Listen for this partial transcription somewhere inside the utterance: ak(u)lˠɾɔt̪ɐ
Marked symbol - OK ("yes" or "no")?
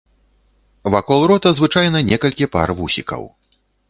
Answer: no